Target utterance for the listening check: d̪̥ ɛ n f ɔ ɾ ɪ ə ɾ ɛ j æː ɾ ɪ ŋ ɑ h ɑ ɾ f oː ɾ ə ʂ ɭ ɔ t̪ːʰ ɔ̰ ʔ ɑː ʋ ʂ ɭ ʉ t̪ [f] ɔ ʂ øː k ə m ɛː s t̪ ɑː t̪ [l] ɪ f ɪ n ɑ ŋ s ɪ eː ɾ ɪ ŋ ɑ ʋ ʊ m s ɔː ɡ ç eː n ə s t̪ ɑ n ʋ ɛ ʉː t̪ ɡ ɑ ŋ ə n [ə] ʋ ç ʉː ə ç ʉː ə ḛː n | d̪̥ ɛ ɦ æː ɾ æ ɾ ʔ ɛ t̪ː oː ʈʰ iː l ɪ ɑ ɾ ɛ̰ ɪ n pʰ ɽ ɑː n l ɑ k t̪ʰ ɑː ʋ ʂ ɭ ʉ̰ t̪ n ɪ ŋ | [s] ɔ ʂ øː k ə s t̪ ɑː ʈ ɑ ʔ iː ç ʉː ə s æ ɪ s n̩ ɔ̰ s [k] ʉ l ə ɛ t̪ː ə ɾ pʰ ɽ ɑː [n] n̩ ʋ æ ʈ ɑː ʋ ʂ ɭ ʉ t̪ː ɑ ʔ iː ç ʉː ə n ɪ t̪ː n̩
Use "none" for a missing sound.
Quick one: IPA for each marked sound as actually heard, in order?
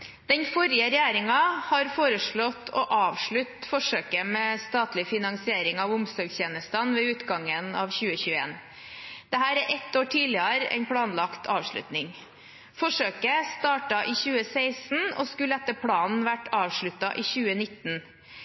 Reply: f, l, ɑ, f, k, n

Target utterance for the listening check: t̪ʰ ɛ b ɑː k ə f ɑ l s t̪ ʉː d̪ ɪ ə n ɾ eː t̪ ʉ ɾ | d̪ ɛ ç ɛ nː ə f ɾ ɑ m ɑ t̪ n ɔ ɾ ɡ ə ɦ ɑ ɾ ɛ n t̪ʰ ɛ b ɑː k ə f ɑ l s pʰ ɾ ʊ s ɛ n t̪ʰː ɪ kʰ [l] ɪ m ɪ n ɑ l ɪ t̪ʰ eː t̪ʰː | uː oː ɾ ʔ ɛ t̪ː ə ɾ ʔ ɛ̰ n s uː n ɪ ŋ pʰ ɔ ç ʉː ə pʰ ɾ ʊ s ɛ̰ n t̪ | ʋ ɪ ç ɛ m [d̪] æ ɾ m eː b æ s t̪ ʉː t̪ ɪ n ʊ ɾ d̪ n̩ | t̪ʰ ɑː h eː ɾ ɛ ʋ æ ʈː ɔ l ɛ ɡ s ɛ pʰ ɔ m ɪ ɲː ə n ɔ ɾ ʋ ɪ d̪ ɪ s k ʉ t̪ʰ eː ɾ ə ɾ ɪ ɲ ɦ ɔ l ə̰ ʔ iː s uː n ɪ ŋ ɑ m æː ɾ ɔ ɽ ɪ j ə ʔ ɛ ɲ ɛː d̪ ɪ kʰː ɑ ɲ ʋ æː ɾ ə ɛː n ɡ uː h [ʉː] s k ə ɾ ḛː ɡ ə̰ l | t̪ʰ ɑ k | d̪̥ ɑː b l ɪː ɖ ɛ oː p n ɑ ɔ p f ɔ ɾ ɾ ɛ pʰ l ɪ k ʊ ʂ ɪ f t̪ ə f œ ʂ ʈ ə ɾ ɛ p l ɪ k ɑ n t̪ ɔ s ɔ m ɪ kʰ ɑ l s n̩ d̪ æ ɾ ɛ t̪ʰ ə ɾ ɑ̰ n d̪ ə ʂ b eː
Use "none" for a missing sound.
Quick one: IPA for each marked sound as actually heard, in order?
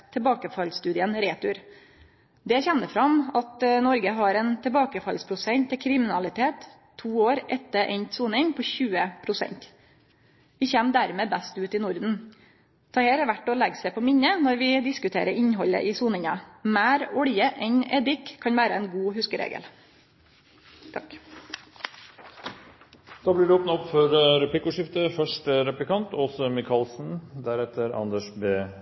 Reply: ɾ, d̪, ʉ

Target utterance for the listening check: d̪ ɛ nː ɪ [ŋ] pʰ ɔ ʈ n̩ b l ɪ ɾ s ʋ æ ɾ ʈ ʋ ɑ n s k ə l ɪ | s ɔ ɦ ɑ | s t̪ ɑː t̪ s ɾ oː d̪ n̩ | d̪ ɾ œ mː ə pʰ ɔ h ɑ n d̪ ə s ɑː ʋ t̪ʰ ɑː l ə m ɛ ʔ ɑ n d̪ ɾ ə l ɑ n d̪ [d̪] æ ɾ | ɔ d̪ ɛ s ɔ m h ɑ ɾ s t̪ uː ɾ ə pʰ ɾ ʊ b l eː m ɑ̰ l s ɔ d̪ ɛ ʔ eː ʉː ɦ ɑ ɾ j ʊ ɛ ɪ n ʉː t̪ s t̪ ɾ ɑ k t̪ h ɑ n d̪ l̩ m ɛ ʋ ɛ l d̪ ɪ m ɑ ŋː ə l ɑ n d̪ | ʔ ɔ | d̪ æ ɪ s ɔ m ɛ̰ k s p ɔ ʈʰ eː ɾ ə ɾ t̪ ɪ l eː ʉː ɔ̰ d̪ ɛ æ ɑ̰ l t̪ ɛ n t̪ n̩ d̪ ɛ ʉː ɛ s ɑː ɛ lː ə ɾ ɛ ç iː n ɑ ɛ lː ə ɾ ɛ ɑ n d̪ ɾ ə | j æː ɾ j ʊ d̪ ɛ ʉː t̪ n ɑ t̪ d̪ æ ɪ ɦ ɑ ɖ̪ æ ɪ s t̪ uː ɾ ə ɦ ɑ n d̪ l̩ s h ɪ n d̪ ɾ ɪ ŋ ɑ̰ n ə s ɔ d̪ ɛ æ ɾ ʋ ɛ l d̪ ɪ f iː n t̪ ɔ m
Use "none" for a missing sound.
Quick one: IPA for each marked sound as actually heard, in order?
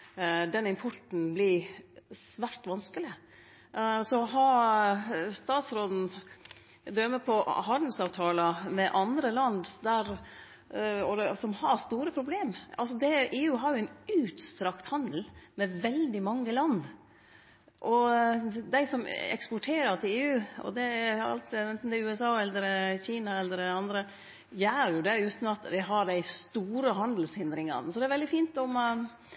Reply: m, d̪

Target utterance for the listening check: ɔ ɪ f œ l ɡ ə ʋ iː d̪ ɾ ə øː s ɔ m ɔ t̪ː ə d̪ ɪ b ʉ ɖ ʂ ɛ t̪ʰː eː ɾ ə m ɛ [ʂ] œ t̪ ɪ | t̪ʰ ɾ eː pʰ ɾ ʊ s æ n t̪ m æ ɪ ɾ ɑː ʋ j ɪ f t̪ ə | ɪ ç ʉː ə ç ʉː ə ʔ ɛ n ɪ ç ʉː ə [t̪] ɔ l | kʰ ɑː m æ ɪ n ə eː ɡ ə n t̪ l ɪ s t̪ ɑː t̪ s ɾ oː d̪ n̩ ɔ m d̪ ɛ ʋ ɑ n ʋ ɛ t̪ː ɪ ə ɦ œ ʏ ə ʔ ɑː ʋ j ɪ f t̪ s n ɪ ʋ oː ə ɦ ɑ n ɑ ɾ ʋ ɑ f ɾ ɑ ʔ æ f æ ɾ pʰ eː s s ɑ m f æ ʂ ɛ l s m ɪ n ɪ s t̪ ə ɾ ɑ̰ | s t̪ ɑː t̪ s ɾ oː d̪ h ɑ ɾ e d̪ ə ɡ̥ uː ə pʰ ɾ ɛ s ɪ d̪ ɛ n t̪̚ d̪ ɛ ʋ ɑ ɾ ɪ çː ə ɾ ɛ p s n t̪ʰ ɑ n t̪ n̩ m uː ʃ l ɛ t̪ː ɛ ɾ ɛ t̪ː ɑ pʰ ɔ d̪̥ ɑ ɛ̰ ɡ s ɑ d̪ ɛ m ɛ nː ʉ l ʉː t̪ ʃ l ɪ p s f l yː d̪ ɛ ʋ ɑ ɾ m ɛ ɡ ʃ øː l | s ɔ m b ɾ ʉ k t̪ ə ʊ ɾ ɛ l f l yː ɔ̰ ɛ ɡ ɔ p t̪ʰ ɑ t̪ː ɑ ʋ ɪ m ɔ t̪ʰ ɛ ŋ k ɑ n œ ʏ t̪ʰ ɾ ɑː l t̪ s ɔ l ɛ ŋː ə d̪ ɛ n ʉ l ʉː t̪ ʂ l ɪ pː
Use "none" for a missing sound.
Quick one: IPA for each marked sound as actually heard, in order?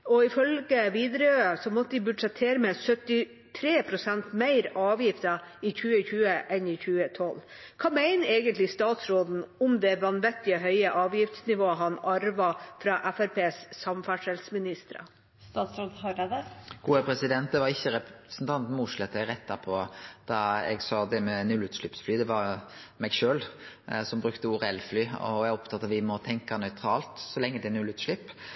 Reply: s, t̪ʰ

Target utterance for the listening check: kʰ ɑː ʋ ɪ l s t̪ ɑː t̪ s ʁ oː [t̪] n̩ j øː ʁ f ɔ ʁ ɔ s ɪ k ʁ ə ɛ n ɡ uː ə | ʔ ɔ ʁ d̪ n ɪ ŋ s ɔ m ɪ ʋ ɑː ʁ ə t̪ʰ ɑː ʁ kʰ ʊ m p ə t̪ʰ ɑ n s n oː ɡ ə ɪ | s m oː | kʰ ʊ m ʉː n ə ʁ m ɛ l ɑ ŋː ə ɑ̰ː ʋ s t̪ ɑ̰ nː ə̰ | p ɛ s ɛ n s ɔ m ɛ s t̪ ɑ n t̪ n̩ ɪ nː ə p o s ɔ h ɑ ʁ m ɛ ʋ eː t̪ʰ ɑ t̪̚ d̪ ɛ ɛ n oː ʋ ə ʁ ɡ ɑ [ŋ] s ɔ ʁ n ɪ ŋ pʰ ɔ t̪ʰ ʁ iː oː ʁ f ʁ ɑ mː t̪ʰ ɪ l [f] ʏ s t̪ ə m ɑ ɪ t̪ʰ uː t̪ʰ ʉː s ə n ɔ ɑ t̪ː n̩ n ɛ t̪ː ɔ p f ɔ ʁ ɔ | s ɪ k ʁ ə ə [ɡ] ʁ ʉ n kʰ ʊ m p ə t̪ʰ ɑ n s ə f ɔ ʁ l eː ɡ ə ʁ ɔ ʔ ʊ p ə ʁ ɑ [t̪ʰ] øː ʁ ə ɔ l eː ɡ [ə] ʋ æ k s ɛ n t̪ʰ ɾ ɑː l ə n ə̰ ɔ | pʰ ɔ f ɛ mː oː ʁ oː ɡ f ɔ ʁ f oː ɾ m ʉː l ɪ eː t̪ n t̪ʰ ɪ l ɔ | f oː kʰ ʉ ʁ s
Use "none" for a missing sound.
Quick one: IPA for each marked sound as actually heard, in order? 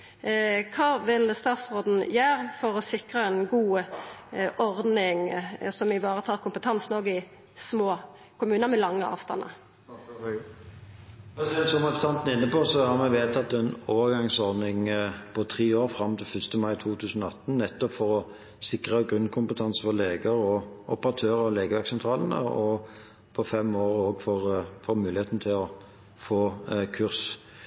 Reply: d̪, ŋ, f, ɡ, t̪ʰ, ə

